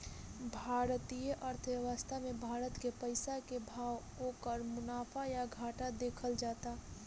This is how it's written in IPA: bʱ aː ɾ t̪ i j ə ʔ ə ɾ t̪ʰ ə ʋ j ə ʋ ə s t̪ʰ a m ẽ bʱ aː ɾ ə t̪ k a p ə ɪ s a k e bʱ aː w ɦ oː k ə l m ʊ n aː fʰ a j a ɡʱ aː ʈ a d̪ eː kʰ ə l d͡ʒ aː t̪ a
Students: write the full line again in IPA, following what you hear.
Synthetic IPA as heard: bʱ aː ɾ t̪ i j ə ʔ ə ɾ t̪ʰ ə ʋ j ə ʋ ə s t̪ʰ a m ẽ bʱ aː ɾ ə t̪ k e p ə ɪ s a k e bʱ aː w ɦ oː k ə ɾ m ʊ n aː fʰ a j a ɡʱ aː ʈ a d̪ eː kʰ ə l d͡ʒ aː t̪ a